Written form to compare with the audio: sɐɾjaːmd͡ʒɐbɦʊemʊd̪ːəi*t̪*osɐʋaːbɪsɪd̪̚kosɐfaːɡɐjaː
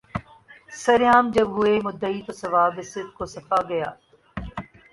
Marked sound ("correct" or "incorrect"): correct